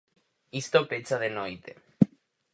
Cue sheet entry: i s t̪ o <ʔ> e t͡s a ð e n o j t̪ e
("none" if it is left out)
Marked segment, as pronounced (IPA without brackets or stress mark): p